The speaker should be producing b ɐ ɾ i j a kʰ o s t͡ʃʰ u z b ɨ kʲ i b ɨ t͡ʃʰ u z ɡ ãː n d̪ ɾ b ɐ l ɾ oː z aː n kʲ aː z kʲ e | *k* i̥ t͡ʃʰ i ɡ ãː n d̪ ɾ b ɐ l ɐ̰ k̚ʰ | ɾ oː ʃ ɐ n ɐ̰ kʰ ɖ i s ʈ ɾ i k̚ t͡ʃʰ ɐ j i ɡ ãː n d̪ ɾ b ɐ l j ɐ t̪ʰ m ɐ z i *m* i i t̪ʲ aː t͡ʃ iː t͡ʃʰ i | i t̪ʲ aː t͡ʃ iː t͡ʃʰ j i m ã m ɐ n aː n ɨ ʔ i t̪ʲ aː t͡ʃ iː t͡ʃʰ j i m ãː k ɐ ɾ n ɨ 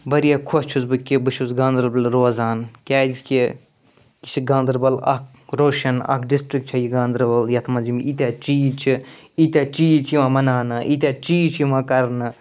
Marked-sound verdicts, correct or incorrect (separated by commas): correct, correct